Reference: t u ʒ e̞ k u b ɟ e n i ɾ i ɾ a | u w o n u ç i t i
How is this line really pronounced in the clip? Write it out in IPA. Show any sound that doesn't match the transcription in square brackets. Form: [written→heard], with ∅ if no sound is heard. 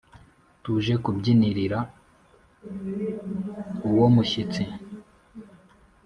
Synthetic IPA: t u ʒ e̞ k u b ɟ [e→i] n i ɾ i ɾ a | u w o [n→m] u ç i [t→t͡s] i

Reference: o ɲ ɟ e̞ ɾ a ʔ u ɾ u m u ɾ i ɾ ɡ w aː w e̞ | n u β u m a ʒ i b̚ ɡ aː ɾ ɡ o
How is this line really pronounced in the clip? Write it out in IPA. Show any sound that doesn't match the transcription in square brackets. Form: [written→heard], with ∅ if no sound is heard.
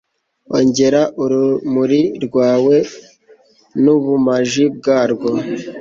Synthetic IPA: o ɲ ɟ e̞ ɾ a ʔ u ɾ u m u ɾ i ɾ ɡ w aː w e̞ | n u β u m a ʒ i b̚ ɡ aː ɾ ɡ o

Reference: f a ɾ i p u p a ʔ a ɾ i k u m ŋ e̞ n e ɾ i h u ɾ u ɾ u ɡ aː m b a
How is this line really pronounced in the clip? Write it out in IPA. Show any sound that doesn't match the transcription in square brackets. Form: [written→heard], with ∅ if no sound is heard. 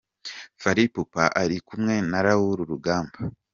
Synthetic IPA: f a ɾ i p u p a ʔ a ɾ i k u m ŋ e̞ n [e→a] ɾ [i→a] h u ɾ u ɾ u ɡ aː m b a

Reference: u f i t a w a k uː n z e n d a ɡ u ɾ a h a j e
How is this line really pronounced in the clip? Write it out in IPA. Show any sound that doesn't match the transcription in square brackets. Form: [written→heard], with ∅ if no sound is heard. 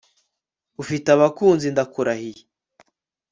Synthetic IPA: u f i t a [w→β] a k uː n z [e→i] n d a [ɡ→k] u ɾ a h [a→i] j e

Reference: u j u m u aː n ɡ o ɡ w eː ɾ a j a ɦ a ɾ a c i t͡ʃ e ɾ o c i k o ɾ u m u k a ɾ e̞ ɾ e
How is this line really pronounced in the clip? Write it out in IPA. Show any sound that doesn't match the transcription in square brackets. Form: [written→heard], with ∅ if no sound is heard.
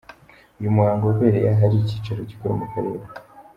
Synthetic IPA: u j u m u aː [n→ŋ] ɡ o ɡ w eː ɾ [a→e] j a ɦ a ɾ [a→i] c i t͡ʃ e ɾ o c i k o ɾ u m u k a ɾ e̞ ɾ e

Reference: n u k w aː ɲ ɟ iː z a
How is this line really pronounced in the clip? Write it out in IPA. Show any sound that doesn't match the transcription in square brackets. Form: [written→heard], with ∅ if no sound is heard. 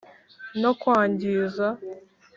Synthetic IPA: n [u→o] k w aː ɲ ɟ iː z a

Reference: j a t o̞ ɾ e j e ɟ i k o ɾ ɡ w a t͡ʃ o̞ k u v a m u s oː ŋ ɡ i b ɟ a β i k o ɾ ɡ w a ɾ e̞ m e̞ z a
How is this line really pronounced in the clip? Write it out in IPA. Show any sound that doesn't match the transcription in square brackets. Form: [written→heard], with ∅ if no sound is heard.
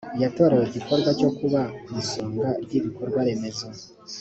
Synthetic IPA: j a t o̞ ɾ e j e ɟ i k o ɾ ɡ w a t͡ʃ o̞ k u [v→β] a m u s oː ŋ ɡ [i→a] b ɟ [a→i] β i k o ɾ ɡ w a ɾ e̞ m e̞ z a

